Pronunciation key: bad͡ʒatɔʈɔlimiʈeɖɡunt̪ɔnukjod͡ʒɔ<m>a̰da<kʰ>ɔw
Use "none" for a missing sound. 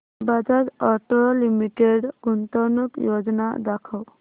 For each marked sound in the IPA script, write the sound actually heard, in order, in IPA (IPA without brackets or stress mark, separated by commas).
n, kʰ